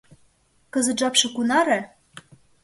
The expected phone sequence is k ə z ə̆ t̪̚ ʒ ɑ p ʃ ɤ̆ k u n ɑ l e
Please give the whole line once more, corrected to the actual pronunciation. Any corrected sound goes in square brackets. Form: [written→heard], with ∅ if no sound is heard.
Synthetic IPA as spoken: k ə z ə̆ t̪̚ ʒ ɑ p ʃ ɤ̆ k u n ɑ [l→ɾ] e